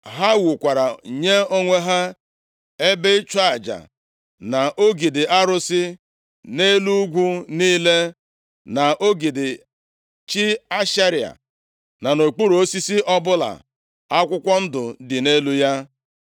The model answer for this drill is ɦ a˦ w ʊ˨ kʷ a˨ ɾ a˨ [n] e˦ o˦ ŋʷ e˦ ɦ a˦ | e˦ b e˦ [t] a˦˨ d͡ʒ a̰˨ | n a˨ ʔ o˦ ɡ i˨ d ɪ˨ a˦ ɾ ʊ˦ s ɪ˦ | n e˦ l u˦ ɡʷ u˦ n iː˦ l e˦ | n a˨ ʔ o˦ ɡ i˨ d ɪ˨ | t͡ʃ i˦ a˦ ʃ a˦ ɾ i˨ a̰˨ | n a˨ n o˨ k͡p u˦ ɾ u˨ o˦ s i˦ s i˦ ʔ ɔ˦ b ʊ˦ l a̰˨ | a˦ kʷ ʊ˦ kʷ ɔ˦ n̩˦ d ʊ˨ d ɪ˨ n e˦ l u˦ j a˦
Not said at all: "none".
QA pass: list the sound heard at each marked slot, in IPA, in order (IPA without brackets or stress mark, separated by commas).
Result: ɲ, t͡ʃ